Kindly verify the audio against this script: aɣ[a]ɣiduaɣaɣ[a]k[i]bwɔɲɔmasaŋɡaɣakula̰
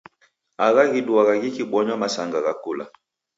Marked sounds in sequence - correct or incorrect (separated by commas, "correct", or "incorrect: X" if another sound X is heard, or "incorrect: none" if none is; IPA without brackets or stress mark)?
correct, incorrect: i, correct